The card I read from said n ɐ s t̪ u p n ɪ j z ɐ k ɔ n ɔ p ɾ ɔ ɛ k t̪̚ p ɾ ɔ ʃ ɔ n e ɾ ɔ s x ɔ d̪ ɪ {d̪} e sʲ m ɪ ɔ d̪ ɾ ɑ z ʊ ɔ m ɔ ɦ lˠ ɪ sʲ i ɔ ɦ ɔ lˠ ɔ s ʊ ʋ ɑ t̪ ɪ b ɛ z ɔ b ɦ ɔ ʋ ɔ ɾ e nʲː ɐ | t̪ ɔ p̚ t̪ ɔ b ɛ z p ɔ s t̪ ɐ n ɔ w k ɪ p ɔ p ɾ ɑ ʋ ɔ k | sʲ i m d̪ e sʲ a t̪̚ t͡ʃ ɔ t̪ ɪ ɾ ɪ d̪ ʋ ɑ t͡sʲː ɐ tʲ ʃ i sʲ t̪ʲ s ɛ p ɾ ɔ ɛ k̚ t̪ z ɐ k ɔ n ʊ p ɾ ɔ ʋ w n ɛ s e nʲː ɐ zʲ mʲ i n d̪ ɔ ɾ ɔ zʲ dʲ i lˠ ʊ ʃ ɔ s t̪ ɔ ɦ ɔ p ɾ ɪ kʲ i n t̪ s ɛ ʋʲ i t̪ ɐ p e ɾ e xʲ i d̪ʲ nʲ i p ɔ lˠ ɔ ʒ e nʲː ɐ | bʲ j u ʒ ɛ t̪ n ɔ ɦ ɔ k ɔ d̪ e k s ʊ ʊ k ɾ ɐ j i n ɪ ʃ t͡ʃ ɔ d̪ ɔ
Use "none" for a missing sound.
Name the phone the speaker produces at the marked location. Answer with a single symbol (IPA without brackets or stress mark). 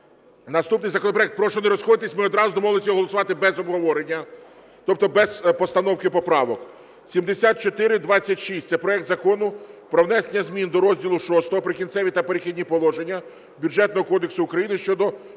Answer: t̪